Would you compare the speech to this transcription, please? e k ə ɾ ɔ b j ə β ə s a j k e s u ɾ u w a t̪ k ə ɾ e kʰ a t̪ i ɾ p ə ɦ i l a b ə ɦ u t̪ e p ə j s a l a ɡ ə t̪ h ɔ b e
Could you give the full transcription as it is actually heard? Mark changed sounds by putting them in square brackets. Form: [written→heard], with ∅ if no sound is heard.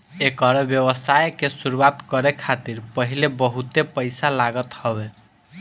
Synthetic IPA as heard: e k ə ɾ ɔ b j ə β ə s a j k e s u ɾ u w a t̪ k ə ɾ e kʰ a t̪ i ɾ p ə ɦ i l [a→e] b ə ɦ u t̪ e p ə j s a l a ɡ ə t̪ h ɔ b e

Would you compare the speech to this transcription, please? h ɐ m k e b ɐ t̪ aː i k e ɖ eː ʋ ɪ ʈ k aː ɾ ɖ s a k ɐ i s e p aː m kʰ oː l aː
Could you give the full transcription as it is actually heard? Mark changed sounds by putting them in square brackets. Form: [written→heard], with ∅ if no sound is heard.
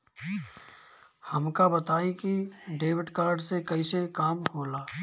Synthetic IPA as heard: h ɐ m k [e→a] b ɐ t̪ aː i k [e→i] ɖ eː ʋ ɪ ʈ k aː ɾ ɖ s [a→e] k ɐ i s e [p→k] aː m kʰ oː l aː

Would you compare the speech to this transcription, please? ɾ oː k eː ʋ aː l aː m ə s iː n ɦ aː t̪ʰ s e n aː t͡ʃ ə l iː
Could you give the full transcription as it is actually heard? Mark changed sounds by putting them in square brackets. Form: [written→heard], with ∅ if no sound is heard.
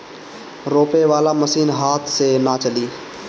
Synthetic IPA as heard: ɾ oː [k→p] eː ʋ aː l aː m ə s iː n ɦ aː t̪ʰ s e n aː t͡ʃ ə l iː

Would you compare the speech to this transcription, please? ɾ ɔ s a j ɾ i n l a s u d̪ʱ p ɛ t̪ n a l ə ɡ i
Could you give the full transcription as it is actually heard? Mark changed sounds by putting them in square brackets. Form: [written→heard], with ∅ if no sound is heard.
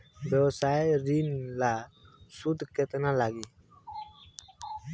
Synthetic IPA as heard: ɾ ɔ s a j ɾ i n l a s u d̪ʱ [p→k] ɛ t̪ n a l [ə→a] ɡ i

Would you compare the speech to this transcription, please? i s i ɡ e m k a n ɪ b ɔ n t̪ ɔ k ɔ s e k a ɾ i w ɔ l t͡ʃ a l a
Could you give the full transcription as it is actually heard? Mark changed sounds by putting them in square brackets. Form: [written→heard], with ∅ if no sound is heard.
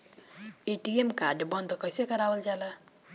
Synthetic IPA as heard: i [s→t] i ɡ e m k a [n→d] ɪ b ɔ n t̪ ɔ k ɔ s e k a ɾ [i→a] w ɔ l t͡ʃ a l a

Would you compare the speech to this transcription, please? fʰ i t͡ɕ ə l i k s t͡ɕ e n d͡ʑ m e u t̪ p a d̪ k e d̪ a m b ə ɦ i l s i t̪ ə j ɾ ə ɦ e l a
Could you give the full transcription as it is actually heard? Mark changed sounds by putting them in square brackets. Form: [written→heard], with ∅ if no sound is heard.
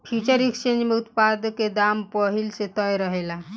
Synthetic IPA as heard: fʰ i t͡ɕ ə [l→ɾ] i k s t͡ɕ e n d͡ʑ m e u t̪ p a d̪ k e d̪ a m [b→p] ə ɦ i l s [i→e] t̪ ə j ɾ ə ɦ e l a

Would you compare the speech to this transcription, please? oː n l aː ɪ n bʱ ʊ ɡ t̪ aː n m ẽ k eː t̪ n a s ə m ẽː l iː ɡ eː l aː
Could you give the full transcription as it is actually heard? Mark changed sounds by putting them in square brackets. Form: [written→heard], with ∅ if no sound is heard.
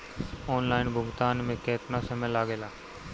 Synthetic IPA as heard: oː n l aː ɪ n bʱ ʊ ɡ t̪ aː n m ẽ k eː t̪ n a s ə m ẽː l [iː→aː] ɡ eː l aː

